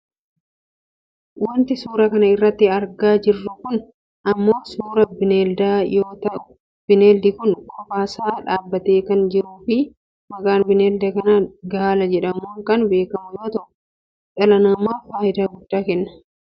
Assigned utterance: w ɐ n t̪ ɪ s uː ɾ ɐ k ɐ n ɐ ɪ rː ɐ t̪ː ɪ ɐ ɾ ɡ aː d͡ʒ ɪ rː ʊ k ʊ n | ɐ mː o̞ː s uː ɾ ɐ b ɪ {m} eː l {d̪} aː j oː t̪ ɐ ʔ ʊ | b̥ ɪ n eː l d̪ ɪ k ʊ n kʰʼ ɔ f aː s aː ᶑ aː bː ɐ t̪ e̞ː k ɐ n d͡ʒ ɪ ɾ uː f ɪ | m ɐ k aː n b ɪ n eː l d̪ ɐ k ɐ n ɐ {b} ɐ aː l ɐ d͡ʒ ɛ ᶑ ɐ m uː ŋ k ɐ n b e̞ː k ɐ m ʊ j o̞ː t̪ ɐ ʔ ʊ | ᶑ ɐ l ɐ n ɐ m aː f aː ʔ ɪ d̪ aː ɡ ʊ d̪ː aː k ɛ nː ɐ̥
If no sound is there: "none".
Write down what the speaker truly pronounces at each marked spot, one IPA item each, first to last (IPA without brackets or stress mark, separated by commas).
n, d̪, ɡ